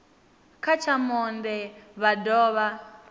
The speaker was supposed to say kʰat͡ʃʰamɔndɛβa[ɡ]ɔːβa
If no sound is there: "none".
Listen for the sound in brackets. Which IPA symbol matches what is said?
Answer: d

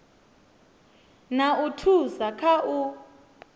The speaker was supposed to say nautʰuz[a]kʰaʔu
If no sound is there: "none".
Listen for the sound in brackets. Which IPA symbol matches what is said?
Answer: a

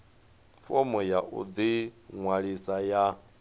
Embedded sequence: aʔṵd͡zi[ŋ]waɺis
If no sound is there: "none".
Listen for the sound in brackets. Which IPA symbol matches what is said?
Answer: ŋ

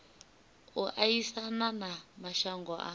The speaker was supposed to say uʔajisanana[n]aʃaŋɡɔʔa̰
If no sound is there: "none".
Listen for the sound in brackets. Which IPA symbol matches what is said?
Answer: m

